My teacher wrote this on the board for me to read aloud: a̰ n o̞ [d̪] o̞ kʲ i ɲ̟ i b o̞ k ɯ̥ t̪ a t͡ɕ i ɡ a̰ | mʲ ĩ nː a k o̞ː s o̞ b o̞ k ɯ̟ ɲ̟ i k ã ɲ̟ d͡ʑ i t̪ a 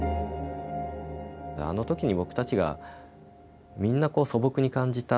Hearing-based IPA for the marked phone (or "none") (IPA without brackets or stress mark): t̪